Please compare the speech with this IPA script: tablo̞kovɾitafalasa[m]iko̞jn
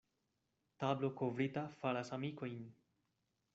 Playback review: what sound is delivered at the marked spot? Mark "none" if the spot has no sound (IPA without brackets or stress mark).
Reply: m